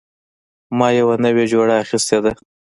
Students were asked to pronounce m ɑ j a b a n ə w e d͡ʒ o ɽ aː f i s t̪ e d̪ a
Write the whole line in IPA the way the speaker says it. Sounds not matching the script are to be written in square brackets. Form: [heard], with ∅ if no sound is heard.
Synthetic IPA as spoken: m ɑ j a [w] a n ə w e d͡ʒ o ɽ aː [x] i s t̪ e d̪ a